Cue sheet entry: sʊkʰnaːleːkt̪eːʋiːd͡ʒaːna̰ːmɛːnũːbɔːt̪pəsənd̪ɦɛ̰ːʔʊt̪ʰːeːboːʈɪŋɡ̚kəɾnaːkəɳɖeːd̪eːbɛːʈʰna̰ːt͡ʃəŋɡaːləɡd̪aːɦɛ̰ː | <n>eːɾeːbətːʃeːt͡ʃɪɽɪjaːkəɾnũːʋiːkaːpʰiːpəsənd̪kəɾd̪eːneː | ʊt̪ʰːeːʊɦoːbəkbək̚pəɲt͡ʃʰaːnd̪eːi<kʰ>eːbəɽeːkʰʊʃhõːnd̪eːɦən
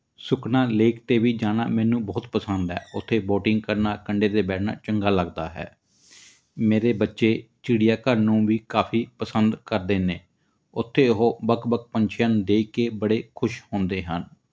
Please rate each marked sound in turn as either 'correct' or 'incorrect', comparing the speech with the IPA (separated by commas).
incorrect, incorrect